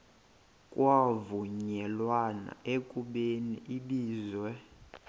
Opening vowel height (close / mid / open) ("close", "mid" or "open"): open